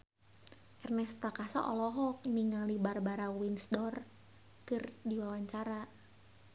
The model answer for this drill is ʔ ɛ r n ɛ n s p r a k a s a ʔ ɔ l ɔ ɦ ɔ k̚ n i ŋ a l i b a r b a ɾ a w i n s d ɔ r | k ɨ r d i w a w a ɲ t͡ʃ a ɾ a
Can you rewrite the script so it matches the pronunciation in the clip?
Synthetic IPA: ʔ ɛ r n ɛ s p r a k a s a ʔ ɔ l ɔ ɦ ɔ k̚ n i ŋ a l i b a r b a ɾ a w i n s d ɔ r | k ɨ r d i w a w a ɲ t͡ʃ a ɾ a